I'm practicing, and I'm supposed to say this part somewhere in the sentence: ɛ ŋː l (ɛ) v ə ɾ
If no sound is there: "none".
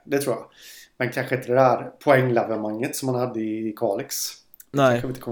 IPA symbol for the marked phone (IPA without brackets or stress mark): ɛ